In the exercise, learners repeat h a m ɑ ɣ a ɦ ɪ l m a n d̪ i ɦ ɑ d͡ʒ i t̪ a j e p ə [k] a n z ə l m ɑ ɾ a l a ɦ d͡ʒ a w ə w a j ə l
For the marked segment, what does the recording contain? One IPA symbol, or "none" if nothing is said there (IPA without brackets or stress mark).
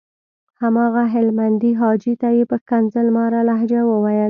k